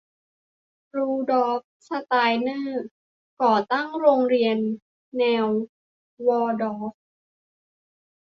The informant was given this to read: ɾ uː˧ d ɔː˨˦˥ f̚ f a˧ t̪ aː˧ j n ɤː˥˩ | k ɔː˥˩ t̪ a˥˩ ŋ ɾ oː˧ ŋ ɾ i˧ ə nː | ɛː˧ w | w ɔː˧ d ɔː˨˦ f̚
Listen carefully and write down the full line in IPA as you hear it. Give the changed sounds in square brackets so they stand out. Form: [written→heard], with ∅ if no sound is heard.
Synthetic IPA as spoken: ɾ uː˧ d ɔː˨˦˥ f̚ [f→s] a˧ t̪ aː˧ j n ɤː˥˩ | k [ɔː˥˩→ɔː˨˩] t̪ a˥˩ ŋ ɾ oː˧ ŋ ɾ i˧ ə nː | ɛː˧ w | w ɔː˧ d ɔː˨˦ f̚